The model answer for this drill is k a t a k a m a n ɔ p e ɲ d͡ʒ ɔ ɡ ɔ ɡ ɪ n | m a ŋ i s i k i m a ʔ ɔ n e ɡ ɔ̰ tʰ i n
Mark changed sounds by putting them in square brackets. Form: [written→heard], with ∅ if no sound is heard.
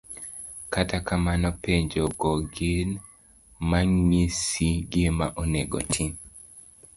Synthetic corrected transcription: k a t a k a m a n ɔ p e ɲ d͡ʒ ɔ ɡ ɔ ɡ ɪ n | m a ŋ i s i [k→ɡ] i m a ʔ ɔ n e ɡ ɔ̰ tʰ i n